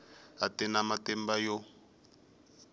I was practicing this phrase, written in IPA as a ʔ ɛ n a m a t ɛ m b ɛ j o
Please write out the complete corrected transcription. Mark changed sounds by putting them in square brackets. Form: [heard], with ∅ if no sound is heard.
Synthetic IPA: a [t] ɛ n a m a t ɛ m b [a] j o